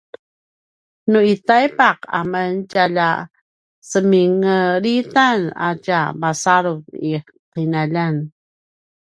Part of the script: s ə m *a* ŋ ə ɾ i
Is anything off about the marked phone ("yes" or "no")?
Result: yes